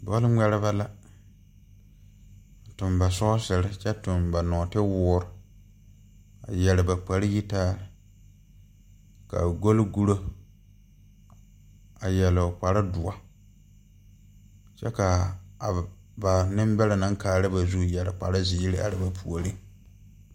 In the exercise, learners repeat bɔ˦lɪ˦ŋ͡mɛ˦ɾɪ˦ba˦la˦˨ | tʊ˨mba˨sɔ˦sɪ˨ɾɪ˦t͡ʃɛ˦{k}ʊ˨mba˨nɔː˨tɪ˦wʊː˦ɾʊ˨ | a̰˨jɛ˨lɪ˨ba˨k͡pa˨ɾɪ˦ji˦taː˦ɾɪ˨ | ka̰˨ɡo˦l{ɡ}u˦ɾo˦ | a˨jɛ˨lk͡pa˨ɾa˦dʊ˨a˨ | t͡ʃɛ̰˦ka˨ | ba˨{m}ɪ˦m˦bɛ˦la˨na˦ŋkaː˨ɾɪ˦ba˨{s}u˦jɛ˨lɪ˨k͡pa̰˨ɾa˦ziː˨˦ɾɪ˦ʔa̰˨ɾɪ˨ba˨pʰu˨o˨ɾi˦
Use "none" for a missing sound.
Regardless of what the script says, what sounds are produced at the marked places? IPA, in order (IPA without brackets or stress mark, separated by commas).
t, ɡ, n, z